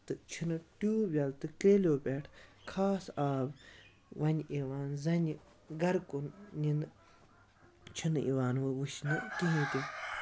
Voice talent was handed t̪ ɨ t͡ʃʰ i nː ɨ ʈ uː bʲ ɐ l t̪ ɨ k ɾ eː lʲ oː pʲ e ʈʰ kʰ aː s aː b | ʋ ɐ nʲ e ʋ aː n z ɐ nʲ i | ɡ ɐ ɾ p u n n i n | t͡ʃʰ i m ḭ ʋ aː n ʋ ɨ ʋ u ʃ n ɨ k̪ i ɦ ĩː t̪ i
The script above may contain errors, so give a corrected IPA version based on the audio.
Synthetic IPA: t̪ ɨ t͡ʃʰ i n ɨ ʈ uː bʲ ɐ l t̪ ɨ k ɾ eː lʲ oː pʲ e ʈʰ kʰ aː s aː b | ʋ ɐ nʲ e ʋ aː n z ɐ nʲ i | ɡ ɐ ɾ k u n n i n | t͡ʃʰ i n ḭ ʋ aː n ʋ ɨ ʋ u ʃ n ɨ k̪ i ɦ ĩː t̪ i